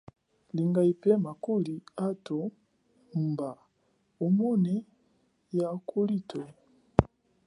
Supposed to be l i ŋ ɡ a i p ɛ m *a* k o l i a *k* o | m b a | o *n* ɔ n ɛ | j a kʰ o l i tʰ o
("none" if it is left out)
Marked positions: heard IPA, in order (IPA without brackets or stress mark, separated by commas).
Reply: a, t, m